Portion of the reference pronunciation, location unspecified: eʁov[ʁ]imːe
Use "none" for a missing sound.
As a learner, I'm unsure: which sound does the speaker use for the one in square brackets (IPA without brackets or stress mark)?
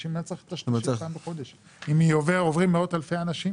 ʁ